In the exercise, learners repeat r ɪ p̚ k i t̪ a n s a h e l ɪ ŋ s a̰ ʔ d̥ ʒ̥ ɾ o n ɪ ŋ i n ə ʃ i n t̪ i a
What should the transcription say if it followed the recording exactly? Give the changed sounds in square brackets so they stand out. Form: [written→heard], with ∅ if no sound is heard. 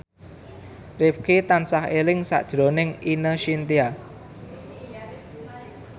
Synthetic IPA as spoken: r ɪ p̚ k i t̪ a n s a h e l ɪ ŋ s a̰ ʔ d̥ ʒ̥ ɾ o n ɪ ŋ i n ə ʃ i n t̪ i a